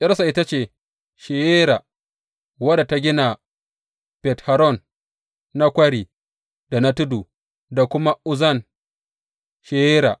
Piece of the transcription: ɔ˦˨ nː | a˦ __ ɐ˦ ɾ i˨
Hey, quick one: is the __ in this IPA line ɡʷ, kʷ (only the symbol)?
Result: kʷ